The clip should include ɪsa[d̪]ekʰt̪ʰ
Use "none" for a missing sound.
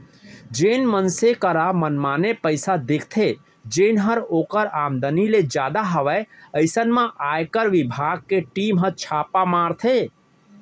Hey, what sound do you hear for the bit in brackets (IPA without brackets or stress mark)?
d̪